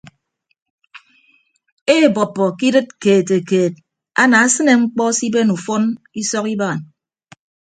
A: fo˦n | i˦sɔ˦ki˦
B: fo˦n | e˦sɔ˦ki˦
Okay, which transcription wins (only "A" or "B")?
A